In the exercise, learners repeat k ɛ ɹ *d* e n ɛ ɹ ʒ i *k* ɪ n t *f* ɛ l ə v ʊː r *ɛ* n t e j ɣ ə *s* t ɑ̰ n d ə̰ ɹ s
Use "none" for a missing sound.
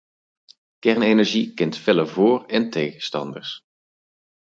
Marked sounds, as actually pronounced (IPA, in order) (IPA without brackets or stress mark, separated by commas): n, k, f, ɛ, s